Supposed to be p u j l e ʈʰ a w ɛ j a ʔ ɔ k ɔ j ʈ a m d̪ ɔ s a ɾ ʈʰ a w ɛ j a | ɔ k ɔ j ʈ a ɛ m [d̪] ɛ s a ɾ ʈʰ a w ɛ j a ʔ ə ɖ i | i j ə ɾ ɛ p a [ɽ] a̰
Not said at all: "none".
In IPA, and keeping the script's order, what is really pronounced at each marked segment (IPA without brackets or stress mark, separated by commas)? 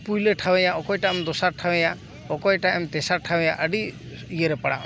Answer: t̪, ɽ